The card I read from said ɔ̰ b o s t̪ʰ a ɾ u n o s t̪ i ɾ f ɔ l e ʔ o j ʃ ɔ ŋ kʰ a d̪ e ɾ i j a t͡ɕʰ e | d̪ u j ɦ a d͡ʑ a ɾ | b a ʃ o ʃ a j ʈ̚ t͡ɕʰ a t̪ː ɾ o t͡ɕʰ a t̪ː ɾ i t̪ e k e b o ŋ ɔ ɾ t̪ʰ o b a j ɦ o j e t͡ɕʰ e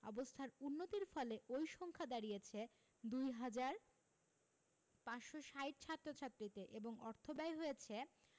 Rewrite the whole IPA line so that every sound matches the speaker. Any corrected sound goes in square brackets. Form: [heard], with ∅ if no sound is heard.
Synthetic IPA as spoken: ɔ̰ b o s t̪ʰ a ɾ u [nː] o [∅] t̪ i ɾ f ɔ l e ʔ o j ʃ ɔ ŋ kʰ a d̪ [a] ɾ i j [e] t͡ɕʰ e | d̪ u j ɦ a d͡ʑ a ɾ | [p] a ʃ o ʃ a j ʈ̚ t͡ɕʰ a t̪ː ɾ o t͡ɕʰ a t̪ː ɾ i t̪ e [ʔ] e b o ŋ ɔ ɾ t̪ʰ o b a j ɦ o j e t͡ɕʰ e